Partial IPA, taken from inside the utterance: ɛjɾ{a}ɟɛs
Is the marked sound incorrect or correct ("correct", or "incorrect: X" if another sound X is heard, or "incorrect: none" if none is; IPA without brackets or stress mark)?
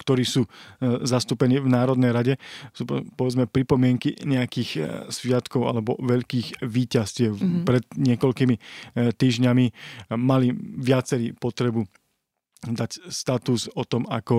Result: correct